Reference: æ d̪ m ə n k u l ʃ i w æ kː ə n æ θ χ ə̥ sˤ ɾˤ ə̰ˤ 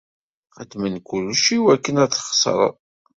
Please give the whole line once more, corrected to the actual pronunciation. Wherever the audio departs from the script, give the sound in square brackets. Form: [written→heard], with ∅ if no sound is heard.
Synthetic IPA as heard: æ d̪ m ə n k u l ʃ i w æ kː ə n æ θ χ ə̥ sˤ ɾˤ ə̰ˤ